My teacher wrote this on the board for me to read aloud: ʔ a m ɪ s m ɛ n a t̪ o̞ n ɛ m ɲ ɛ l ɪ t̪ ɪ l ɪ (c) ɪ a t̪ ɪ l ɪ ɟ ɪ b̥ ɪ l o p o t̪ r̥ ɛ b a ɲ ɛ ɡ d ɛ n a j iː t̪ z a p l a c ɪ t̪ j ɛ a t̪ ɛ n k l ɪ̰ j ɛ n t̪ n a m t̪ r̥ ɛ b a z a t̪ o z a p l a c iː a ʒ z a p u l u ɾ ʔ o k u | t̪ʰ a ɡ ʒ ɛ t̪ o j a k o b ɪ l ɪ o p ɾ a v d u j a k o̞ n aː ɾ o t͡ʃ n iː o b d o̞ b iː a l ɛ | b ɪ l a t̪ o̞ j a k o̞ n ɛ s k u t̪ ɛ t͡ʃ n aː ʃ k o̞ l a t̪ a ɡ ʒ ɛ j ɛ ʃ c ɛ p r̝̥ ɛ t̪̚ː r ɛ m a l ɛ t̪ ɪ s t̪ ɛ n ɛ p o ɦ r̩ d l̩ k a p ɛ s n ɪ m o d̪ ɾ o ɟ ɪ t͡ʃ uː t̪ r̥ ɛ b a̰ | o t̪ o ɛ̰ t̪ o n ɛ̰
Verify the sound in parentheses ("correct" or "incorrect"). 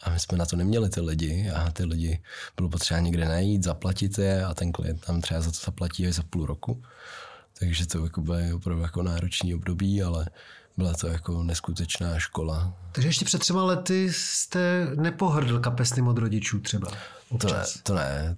incorrect